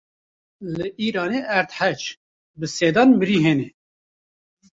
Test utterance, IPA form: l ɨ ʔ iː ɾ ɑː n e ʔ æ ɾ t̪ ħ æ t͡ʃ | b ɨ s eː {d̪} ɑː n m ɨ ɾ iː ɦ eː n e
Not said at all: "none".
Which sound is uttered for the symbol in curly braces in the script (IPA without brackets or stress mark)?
d̪